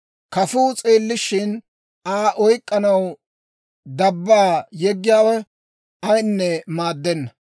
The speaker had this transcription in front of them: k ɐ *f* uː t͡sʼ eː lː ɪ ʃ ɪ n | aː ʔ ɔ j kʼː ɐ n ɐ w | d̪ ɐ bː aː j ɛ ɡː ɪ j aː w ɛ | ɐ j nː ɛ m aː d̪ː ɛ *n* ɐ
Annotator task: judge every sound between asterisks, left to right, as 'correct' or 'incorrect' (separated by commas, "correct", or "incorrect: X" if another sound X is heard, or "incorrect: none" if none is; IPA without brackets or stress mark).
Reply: correct, incorrect: nː